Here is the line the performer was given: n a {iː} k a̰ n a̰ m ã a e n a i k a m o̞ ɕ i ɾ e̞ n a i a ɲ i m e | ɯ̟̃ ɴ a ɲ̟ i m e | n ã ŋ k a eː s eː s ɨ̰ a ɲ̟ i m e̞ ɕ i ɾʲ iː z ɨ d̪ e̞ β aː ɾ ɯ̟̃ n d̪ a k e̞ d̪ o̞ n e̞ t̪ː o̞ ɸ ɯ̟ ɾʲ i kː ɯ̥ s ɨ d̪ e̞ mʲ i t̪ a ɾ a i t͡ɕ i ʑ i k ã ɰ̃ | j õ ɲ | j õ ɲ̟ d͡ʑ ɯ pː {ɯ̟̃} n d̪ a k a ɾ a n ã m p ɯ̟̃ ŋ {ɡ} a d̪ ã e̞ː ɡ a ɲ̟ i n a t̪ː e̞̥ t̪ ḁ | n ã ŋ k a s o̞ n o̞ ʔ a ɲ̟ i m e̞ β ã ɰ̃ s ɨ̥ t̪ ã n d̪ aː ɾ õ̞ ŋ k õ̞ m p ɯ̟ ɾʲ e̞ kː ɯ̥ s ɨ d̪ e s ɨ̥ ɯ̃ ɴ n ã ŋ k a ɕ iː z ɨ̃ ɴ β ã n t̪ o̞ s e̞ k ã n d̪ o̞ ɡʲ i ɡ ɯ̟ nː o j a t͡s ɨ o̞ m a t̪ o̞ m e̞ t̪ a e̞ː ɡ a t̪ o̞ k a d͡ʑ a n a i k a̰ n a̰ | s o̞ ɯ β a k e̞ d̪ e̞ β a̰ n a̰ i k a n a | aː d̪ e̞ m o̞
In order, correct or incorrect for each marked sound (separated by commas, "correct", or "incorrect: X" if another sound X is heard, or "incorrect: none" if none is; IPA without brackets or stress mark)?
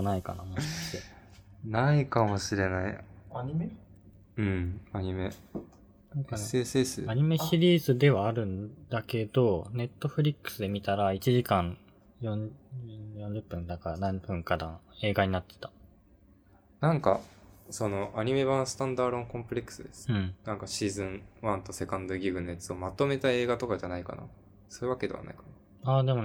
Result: incorrect: i, correct, incorrect: k